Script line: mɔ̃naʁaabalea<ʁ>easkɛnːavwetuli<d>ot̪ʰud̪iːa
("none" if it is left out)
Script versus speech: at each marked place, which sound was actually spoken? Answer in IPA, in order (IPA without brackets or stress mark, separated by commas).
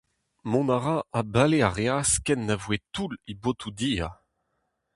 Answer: ʁ, b